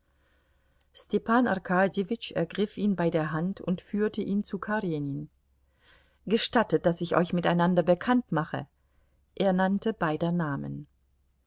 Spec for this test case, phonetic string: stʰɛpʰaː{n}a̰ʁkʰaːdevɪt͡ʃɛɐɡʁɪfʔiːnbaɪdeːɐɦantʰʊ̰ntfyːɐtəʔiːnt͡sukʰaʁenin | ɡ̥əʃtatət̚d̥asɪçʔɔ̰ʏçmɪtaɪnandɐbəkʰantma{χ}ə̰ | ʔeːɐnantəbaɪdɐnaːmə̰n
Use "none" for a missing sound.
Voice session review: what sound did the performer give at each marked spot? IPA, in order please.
n, χ

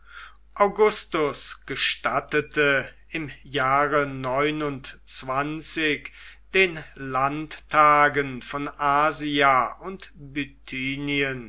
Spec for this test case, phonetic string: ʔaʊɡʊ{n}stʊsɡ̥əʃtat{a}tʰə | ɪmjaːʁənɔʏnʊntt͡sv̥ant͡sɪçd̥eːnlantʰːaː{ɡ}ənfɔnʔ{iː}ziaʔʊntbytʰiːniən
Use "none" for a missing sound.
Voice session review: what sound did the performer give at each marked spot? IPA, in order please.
none, ə, ɡ, aː

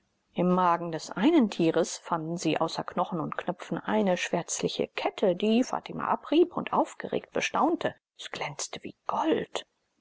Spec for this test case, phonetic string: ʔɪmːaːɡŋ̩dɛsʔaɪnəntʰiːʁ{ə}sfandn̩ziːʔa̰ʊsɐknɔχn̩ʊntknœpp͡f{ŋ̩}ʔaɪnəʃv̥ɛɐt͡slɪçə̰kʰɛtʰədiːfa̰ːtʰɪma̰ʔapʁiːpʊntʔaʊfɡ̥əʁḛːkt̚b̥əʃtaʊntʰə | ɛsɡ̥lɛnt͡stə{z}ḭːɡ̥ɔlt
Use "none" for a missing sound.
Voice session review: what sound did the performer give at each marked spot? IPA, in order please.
ə, n̩, v

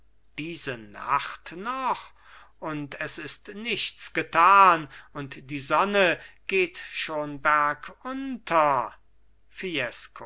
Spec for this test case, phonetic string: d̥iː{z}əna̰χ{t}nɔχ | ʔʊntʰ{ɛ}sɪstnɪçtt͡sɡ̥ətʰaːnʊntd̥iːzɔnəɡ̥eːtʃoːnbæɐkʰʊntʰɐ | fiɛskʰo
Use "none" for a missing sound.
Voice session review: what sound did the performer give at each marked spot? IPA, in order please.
z, t, ɛ

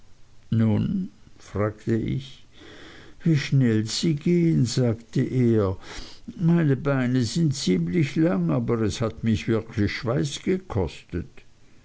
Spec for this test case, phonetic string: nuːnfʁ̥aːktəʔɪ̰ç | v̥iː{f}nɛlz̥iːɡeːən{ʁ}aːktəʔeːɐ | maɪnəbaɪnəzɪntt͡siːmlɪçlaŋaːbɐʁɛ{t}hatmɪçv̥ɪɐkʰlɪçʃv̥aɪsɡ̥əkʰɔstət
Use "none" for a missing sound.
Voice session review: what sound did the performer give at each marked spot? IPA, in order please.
ʃ, z, s

